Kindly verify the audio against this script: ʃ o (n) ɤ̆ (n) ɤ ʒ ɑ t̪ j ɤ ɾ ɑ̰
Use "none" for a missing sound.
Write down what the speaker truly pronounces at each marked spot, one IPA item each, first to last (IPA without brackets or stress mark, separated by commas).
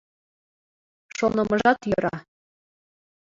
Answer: n, m